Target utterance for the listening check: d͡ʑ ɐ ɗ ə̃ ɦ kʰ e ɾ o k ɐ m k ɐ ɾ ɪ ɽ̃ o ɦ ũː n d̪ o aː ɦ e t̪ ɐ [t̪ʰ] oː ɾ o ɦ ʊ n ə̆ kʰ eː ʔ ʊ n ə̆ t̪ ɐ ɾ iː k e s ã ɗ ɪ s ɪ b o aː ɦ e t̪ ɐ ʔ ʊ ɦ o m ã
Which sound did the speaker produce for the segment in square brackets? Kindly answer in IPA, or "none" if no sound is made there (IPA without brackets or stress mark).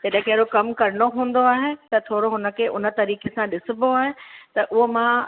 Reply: t̪ʰ